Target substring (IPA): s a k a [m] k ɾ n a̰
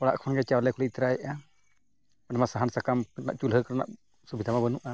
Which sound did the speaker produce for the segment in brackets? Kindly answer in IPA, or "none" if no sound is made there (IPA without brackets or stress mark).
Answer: m